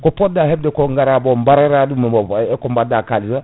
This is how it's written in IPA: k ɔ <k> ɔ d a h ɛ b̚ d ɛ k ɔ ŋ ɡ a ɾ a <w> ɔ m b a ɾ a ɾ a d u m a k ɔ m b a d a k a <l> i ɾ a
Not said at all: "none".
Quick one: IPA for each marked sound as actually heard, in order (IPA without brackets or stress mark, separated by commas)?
p, b, l